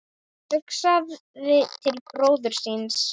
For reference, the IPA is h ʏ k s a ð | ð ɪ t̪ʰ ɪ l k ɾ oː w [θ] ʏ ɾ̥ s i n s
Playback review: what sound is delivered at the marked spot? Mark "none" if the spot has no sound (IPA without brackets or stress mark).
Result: ð